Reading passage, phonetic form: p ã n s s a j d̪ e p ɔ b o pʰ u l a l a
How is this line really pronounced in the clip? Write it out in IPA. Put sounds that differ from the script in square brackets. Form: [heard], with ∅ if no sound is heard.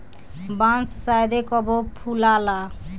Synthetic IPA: [b] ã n s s a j d̪ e [k] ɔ b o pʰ u l a l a